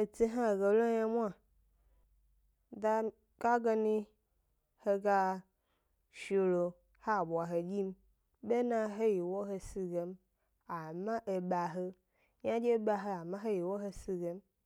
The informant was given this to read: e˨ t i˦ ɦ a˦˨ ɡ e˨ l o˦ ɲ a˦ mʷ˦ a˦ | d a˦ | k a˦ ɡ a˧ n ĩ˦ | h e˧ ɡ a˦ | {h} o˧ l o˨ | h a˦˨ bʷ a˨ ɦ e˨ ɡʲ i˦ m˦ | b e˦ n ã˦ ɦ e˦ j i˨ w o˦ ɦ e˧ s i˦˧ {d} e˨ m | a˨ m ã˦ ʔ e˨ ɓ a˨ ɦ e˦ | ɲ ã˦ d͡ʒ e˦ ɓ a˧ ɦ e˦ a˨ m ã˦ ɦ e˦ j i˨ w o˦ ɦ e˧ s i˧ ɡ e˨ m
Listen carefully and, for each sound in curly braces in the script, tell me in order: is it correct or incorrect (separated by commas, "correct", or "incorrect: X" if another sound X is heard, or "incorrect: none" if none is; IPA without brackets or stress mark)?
incorrect: ʃ, incorrect: ɡ